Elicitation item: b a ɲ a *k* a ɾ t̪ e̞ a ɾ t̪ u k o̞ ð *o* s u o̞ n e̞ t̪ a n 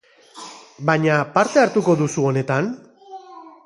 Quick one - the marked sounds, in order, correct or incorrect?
incorrect: p, incorrect: u

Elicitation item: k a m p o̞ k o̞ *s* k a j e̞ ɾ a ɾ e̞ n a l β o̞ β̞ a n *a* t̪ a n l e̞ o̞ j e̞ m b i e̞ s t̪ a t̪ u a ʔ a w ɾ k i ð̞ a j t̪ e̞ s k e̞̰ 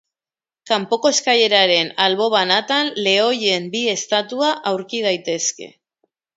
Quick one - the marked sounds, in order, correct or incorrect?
correct, correct

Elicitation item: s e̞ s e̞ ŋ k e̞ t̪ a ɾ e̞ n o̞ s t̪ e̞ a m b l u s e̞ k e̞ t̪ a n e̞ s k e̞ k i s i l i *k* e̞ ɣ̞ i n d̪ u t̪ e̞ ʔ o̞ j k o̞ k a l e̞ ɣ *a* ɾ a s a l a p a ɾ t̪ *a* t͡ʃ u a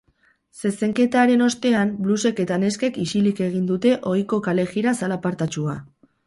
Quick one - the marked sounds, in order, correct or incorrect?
correct, incorrect: i, correct

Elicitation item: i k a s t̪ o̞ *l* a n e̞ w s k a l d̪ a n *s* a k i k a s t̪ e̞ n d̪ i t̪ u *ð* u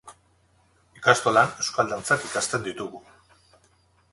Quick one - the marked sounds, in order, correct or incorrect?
correct, incorrect: t͡s, incorrect: ɣ

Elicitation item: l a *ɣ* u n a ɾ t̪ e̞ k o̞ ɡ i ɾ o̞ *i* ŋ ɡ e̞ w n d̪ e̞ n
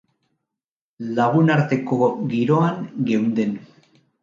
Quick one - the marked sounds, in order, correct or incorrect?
correct, incorrect: a

